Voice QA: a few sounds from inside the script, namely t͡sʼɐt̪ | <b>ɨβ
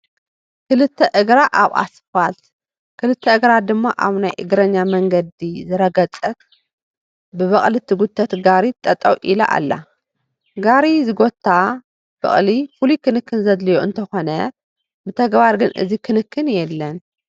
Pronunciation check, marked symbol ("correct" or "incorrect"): correct